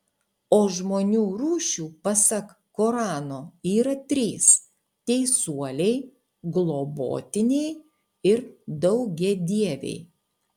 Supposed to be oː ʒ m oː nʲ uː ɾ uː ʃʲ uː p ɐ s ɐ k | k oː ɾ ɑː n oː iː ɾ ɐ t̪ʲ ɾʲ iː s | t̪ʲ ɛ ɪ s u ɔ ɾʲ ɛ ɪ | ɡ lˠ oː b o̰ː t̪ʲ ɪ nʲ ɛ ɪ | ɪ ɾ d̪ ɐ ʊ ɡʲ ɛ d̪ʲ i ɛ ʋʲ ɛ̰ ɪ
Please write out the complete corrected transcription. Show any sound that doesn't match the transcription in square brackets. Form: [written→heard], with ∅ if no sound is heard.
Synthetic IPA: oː ʒ m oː nʲ uː ɾ uː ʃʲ uː p ɐ s ɐ k | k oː ɾ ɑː n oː iː ɾ ɐ t̪ʲ ɾʲ iː s | t̪ʲ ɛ ɪ s u ɔ [ɾʲ→lʲ] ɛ ɪ | ɡ lˠ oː b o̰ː t̪ʲ ɪ nʲ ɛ ɪ | ɪ ɾ d̪ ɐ ʊ ɡʲ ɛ d̪ʲ i ɛ ʋʲ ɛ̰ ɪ

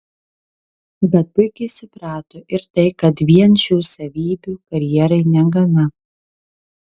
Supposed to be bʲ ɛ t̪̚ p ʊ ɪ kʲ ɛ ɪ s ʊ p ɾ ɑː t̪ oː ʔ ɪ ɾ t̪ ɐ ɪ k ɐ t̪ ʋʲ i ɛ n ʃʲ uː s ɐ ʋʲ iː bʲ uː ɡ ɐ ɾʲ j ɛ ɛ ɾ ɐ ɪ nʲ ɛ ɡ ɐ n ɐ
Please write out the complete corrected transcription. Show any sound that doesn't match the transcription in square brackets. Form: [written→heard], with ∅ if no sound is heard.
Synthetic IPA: bʲ ɛ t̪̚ p ʊ ɪ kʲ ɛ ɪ s ʊ p ɾ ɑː t̪ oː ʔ ɪ ɾ t̪ ɐ ɪ k ɐ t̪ ʋʲ i ɛ n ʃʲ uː s ɐ ʋʲ iː bʲ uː [ɡ→k] ɐ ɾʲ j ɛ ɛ ɾ ɐ ɪ nʲ ɛ ɡ ɐ n ɐ

